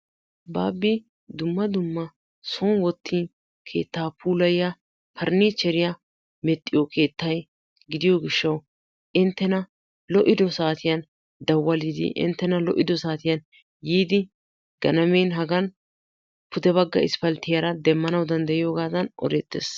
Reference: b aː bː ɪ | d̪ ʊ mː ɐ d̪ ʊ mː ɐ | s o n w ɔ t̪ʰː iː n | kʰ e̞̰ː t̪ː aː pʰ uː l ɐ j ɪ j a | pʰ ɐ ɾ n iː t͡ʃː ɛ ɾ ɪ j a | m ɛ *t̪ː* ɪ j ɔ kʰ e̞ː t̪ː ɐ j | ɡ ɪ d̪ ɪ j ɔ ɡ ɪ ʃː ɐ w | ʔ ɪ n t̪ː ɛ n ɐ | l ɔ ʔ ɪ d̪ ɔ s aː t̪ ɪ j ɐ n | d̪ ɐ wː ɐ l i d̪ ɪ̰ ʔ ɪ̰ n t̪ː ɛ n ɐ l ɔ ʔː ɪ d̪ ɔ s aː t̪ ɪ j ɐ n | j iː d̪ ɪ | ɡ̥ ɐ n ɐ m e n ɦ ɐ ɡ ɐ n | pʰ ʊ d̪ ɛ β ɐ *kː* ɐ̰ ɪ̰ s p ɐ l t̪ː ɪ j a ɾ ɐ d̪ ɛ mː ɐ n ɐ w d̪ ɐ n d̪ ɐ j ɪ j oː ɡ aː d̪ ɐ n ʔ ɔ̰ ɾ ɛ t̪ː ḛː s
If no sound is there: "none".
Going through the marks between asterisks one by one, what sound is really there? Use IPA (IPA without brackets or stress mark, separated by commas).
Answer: t̪ʼː, ɡː